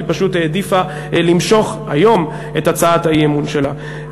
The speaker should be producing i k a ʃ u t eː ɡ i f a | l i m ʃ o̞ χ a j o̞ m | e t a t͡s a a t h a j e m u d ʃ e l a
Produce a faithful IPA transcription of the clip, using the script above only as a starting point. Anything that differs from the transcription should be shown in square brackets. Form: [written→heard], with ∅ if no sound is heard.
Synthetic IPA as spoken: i [k→p] a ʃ u t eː [ɡ→d] i f a | l i m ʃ o̞ χ a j o̞ m | e t a t͡s a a t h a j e m u [d→n] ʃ e l a